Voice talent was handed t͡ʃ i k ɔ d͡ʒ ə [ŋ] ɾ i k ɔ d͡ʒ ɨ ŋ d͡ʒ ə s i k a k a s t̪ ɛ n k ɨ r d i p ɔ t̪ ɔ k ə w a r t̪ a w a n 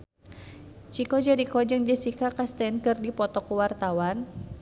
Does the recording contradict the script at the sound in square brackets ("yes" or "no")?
yes